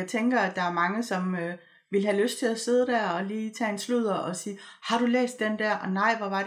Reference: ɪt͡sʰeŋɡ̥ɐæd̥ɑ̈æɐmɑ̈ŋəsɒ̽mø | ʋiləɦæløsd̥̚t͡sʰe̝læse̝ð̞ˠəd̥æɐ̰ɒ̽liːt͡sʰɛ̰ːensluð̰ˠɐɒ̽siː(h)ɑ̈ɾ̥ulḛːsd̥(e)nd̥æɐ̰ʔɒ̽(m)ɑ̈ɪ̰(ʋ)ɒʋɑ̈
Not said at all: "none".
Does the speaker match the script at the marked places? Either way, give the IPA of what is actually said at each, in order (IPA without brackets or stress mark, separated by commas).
h, e, n, ʋ